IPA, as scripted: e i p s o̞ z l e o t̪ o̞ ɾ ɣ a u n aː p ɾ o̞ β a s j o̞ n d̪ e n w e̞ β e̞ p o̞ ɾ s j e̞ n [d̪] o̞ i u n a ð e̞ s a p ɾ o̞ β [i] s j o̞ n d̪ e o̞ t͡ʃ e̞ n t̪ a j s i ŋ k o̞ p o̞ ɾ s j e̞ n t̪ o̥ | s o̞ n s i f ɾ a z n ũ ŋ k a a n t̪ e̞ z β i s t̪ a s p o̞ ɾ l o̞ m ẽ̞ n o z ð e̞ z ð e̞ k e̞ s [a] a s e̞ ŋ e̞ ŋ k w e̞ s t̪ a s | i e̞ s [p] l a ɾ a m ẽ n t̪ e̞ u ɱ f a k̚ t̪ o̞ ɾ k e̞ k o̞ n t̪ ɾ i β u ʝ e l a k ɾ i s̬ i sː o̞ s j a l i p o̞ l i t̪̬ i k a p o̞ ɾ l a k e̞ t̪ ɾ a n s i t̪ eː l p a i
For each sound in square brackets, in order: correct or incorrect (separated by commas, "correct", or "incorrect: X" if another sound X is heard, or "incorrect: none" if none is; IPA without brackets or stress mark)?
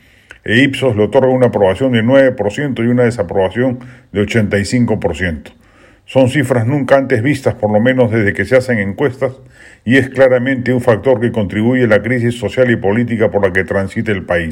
incorrect: t̪, incorrect: a, incorrect: e, incorrect: k